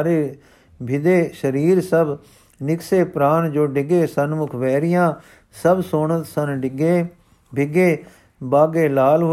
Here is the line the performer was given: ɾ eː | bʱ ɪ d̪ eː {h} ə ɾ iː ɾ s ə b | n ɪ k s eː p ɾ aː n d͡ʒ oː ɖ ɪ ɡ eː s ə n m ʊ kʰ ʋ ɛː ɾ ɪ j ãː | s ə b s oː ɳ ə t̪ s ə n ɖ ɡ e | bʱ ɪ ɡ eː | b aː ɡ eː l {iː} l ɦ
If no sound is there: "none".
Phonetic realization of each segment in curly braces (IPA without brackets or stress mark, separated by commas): ʃ, aː